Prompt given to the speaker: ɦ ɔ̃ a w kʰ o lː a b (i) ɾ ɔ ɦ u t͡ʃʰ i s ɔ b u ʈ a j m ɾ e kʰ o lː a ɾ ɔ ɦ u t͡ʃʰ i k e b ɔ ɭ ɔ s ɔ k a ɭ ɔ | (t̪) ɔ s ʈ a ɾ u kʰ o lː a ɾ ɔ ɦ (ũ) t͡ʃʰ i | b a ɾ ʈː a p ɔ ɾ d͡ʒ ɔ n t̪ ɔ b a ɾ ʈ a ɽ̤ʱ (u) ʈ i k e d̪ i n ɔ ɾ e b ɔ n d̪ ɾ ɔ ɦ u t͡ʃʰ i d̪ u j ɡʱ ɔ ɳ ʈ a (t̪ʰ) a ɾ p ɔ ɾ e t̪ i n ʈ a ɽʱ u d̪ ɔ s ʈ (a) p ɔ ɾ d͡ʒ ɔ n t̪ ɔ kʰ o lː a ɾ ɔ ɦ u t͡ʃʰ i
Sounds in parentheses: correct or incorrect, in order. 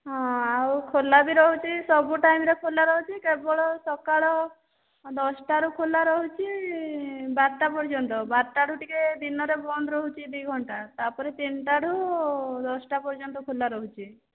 correct, incorrect, incorrect, correct, incorrect, correct

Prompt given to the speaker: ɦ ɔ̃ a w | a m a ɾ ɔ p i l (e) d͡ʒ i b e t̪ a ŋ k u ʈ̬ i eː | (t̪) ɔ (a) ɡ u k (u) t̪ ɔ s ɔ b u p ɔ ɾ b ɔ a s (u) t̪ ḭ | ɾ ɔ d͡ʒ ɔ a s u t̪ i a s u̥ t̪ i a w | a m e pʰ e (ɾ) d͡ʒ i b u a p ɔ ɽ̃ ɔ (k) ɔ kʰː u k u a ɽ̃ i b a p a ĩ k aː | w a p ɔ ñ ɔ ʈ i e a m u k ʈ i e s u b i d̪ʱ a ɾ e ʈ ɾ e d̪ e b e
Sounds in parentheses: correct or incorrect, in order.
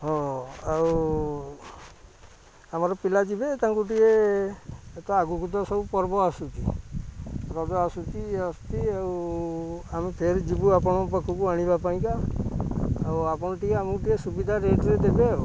incorrect, correct, correct, correct, correct, correct, incorrect

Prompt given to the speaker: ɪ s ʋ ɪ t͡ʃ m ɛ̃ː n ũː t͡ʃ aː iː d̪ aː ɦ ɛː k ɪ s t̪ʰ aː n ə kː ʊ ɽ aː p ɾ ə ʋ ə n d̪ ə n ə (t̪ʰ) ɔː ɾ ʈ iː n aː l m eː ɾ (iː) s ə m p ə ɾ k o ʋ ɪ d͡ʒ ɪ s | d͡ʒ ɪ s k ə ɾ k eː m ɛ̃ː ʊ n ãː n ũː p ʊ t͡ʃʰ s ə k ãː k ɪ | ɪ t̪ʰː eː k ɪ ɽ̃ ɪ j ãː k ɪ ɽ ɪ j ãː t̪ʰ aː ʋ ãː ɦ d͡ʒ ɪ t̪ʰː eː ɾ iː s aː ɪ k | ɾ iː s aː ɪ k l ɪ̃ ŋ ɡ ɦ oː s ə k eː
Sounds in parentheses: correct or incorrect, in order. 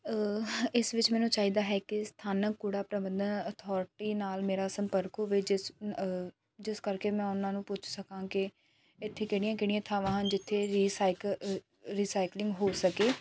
correct, incorrect

